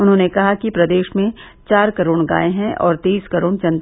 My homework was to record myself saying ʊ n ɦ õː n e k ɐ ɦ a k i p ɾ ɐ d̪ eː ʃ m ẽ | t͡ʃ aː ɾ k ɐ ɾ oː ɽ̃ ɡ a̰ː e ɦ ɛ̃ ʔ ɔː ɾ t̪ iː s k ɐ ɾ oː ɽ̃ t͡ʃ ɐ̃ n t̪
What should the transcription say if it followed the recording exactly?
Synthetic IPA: ʊ n ɦ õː n e k ɐ ɦ a k i p ɾ ɐ d̪ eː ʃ m ẽ | t͡ʃ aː ɾ k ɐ ɾ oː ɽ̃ ɡ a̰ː e ɦ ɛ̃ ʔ ɔː ɾ t̪ iː s k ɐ ɾ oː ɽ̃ t͡ʃ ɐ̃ n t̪